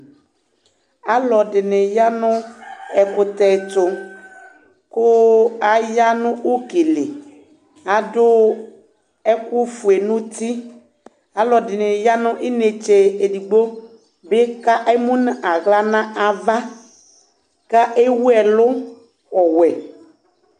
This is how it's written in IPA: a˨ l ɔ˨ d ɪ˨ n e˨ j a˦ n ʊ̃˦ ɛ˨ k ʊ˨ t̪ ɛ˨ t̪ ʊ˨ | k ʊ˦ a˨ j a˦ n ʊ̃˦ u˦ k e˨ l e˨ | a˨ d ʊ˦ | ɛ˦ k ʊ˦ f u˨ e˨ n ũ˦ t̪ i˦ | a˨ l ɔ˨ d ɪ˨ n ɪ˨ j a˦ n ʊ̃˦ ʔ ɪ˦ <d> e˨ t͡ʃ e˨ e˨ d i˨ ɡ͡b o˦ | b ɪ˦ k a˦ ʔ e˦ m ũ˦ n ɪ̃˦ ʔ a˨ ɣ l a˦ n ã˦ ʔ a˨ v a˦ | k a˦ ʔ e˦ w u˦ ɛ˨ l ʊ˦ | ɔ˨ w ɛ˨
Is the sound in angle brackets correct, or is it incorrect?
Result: incorrect